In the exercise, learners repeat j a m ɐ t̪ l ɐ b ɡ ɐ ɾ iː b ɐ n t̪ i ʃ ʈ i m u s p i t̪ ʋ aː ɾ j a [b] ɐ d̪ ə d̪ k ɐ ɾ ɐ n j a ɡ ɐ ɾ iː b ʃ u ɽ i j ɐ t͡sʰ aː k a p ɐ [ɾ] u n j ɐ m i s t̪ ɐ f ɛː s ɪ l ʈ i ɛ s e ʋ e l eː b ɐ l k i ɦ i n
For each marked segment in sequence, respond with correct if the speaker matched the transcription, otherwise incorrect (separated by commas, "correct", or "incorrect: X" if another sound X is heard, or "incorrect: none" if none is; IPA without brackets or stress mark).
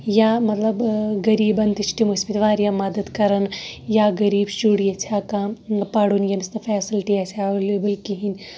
incorrect: m, incorrect: ɽ